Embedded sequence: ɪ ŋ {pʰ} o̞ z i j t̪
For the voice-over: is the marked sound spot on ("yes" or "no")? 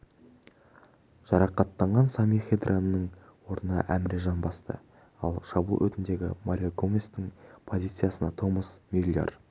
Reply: yes